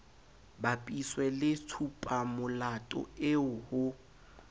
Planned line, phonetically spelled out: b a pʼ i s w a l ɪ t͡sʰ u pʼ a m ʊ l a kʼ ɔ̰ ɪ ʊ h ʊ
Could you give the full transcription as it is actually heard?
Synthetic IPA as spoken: b a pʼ i s w ɛ l ɪ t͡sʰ u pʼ a m ʊ l a tʼ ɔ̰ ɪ ʊ h ʊ